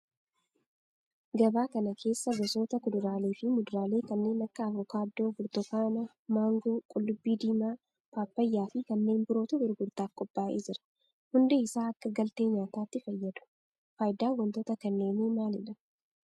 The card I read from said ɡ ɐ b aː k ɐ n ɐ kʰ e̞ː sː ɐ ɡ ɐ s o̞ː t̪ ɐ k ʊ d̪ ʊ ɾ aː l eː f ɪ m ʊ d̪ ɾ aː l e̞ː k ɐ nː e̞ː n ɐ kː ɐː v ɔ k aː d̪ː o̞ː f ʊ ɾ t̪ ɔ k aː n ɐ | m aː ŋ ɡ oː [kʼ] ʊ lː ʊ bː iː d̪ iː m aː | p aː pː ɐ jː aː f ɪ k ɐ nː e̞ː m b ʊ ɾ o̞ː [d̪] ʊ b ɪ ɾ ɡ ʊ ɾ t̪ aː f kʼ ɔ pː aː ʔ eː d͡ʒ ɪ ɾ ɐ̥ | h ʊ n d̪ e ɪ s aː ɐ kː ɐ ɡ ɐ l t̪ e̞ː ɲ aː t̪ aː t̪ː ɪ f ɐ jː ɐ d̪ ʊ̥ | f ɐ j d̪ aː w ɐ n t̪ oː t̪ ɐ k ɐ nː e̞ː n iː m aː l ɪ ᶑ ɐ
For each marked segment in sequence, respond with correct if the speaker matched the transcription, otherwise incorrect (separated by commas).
correct, incorrect